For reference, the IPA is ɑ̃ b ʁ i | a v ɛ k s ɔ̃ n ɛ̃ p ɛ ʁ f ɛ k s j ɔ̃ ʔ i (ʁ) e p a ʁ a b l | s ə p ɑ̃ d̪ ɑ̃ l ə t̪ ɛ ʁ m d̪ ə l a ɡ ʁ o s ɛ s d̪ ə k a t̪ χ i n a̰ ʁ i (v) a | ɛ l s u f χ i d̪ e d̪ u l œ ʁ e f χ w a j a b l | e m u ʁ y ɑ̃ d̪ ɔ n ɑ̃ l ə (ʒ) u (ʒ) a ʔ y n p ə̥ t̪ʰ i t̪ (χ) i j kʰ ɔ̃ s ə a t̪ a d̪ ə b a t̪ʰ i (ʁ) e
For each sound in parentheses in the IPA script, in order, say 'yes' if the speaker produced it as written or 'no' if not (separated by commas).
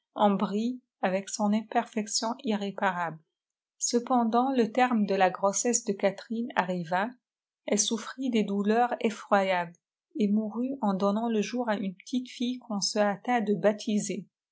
yes, yes, yes, no, no, no